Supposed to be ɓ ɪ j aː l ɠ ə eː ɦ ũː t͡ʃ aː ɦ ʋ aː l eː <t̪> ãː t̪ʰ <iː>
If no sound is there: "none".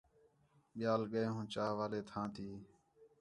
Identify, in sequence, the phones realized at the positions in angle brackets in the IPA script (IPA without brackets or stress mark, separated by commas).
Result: t̪ʰ, iː